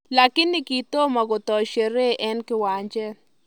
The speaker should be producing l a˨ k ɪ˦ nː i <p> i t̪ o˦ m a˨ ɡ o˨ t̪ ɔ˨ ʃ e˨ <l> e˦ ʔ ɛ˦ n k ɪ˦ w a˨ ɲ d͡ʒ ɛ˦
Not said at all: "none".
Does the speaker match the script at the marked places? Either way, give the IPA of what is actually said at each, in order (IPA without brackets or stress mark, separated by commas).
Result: k, ɾ